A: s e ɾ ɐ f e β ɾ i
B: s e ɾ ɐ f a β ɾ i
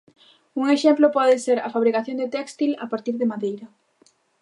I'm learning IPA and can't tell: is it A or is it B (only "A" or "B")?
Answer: B